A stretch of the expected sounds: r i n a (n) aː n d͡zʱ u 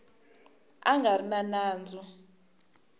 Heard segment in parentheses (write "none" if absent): n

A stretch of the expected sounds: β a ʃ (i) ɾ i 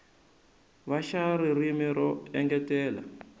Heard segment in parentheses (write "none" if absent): a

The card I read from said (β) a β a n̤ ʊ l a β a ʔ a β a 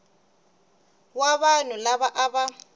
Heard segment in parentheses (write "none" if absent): w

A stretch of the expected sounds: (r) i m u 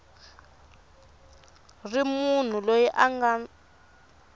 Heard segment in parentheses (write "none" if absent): r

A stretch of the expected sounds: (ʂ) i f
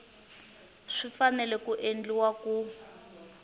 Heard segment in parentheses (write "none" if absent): ʂ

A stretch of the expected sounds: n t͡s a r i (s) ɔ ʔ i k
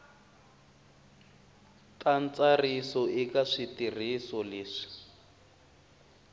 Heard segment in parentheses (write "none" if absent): s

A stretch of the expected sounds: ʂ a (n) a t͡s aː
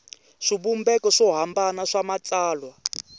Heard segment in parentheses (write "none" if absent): m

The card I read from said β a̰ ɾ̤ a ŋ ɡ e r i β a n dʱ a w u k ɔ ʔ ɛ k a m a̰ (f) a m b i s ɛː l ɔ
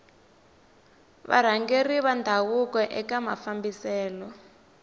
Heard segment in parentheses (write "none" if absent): f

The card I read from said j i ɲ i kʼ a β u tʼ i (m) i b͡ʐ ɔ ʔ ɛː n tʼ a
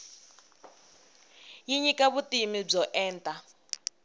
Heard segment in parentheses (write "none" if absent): m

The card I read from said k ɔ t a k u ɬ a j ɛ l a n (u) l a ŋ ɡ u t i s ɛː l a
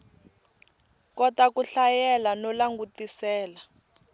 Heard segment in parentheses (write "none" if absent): ɔ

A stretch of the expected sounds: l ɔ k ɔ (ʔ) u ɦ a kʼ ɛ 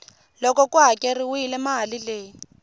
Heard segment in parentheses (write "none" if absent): k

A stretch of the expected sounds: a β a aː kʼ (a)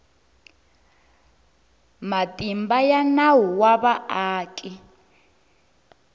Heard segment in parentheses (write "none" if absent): i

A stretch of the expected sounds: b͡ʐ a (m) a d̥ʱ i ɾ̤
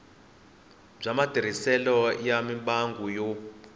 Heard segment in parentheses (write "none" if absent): m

